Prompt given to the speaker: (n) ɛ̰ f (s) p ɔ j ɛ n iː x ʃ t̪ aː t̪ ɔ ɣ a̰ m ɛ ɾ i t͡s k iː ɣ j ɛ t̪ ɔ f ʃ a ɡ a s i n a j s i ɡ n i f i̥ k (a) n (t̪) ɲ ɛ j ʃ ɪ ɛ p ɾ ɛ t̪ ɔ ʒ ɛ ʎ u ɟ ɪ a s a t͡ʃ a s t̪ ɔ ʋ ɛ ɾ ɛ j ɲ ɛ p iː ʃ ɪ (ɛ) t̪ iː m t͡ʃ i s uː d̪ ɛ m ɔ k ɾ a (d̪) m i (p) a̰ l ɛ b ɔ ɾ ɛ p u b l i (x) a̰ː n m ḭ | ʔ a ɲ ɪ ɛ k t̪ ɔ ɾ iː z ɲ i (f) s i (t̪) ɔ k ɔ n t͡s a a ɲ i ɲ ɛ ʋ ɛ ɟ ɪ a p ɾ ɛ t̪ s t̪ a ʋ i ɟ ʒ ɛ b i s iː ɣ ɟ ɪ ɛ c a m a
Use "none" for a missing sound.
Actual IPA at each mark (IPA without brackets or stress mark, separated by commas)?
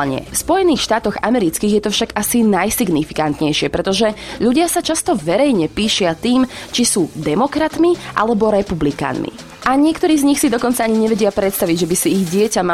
ɲ, s, a, t̪, a, t̪, ʔ, k, x, d̪